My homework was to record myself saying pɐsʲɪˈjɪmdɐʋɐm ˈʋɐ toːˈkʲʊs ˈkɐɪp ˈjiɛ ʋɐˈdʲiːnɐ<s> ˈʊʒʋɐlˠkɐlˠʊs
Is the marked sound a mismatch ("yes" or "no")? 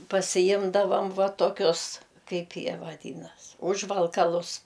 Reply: no